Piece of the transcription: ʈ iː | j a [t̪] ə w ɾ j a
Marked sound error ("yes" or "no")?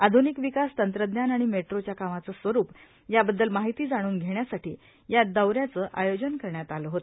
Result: yes